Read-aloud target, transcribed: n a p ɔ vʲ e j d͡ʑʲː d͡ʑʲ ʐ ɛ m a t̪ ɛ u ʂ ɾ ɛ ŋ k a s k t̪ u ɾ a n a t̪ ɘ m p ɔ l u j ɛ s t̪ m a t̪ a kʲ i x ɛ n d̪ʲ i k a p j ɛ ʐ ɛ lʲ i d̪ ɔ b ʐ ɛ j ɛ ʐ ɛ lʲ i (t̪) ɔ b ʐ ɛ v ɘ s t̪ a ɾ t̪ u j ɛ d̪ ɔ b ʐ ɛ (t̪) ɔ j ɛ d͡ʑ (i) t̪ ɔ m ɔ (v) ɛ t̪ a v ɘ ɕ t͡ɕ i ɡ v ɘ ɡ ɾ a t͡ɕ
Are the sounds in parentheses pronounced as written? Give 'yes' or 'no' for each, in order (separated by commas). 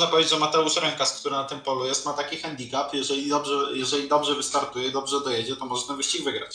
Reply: no, no, no, no